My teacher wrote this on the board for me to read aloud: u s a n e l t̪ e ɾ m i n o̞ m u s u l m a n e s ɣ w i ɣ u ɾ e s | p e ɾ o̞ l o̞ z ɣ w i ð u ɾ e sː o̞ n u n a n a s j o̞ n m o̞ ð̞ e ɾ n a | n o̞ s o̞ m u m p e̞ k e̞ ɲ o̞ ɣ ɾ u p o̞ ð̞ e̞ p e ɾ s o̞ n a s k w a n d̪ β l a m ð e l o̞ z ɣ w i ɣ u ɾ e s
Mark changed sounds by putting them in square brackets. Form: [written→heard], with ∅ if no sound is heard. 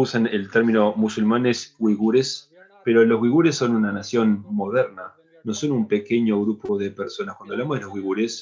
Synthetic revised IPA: u s a n e l t̪ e ɾ m i n o̞ m u s u l m a n e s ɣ w i ɣ u ɾ e s | p e ɾ o̞ l o̞ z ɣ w i [ð→ɣ] u ɾ e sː o̞ n u n a n a s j o̞ n m o̞ ð̞ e ɾ n a | n o̞ s o̞ [m→n] u m p e̞ k e̞ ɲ o̞ ɣ ɾ u p o̞ ð̞ e̞ p e ɾ s o̞ n a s k w a n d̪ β l a m ð e l o̞ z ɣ w i ɣ u ɾ e s